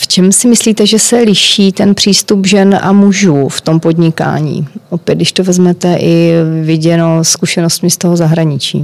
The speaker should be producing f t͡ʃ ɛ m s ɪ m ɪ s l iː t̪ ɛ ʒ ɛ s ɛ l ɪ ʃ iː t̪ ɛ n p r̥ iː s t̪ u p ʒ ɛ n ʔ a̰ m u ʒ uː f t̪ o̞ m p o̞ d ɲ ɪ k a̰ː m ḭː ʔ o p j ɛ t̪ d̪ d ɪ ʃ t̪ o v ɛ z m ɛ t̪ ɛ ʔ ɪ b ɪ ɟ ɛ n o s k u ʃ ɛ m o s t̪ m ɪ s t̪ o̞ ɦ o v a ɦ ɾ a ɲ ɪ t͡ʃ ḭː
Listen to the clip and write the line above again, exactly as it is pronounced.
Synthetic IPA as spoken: f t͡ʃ ɛ m s ɪ m ɪ s l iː t̪ ɛ ʒ ɛ s ɛ l ɪ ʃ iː t̪ ɛ n p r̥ iː s t̪ u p ʒ ɛ n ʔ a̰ m u ʒ uː f t̪ o̞ m p o̞ d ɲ ɪ k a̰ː ɲ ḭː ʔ o p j ɛ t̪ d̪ d ɪ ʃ t̪ o v ɛ z m ɛ t̪ ɛ ʔ ɪ v ɪ ɟ ɛ n o s k u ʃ ɛ n o s t̪ m ɪ s t̪ o̞ ɦ o z a ɦ ɾ a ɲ ɪ t͡ʃ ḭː